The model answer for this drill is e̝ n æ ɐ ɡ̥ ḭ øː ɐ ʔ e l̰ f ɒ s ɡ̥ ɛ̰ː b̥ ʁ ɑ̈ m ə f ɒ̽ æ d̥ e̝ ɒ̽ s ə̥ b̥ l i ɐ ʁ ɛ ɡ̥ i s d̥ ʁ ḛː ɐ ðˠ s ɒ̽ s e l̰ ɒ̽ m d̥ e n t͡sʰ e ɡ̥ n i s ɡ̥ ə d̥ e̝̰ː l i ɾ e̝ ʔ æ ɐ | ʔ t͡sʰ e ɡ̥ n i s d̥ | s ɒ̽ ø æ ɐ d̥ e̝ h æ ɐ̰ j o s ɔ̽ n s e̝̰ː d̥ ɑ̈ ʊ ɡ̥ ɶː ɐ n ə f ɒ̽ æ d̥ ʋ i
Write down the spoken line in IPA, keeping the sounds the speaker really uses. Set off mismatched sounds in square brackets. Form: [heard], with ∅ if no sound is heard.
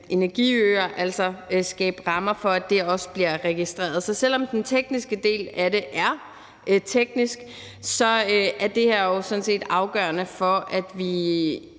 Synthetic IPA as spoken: e̝ n æ ɐ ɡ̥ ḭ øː ɐ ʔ [æ] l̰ [s] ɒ s ɡ̥ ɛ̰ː b̥ ʁ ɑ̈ m [ɐ] f ɒ̽ æ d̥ e̝ ɒ̽ s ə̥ b̥ l i ɐ ʁ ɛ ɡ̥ i s d̥ ʁ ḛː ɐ ðˠ s ɒ̽ s e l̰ ɒ̽ m d̥ e n t͡sʰ e ɡ̥ n i s ɡ̥ ə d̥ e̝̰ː l [æ] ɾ e̝ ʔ æ ɐ | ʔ t͡sʰ e ɡ̥ n i s [ɡ̥] | s ɒ̽ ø æ ɐ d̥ e̝ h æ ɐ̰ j o s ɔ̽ n s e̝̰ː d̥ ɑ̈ ʊ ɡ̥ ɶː ɐ n ə f ɒ̽ æ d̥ ʋ i